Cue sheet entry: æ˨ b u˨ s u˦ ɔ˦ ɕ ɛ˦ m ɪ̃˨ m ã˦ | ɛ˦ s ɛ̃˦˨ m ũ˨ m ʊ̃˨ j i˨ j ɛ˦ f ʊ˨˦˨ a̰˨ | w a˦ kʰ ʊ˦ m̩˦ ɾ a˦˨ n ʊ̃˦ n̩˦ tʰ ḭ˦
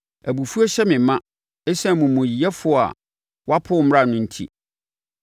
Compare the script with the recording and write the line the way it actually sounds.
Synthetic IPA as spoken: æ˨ b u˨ f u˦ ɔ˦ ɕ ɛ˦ m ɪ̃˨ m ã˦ | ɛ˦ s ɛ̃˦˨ m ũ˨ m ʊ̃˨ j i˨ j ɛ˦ f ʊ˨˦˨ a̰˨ | w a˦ pʰ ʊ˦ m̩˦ ɾ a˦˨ n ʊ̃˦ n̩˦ tʰ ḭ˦